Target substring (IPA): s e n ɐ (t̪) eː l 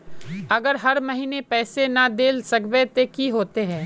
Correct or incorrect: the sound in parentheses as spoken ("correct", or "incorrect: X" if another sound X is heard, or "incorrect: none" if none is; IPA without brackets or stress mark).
incorrect: d̪